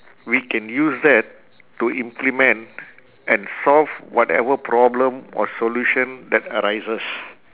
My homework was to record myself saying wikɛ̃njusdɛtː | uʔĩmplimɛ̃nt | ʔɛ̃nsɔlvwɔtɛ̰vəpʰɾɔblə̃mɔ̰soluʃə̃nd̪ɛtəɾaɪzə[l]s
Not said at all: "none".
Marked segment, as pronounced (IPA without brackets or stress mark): none